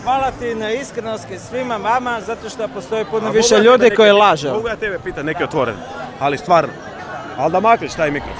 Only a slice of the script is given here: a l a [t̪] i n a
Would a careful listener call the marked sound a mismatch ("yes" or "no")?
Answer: no